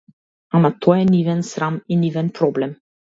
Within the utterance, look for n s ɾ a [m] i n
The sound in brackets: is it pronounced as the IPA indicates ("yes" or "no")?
yes